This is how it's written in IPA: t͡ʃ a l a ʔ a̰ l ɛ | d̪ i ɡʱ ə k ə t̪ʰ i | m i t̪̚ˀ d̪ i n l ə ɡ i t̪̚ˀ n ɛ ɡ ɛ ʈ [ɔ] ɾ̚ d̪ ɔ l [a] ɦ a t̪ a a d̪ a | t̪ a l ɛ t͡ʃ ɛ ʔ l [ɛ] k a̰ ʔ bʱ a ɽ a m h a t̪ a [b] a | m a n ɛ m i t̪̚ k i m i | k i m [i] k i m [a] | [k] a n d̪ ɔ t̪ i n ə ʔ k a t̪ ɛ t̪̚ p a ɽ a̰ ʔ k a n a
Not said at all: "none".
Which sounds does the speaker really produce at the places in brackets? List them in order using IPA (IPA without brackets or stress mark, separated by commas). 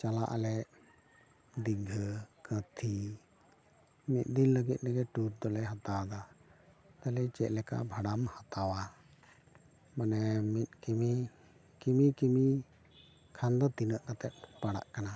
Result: u, ɛ, ɛ, w, i, i, kʰ